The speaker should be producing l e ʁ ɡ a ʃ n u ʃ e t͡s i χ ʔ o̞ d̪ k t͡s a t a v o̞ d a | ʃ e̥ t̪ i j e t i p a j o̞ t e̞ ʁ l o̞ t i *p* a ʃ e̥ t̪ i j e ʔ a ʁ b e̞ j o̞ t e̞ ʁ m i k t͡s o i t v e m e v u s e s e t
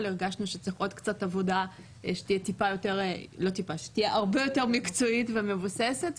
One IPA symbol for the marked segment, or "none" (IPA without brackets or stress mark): p